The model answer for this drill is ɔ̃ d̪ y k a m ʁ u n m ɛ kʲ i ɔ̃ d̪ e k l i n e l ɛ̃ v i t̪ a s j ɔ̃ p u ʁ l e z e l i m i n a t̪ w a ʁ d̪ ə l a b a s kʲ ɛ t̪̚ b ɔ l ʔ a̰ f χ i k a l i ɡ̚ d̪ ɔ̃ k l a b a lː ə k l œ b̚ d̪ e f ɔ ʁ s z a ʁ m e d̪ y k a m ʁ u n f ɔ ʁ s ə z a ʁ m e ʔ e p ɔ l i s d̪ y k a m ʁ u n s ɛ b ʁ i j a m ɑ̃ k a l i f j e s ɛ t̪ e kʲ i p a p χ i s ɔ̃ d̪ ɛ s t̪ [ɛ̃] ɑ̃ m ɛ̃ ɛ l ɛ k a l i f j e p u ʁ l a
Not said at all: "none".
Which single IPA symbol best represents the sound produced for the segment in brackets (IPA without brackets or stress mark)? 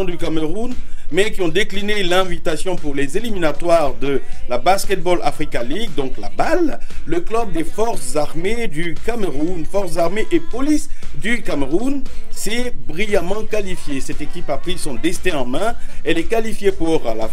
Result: ɛ̃